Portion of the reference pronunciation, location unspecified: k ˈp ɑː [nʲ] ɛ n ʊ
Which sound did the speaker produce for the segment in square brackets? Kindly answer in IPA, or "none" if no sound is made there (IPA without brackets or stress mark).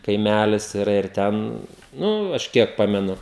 mʲ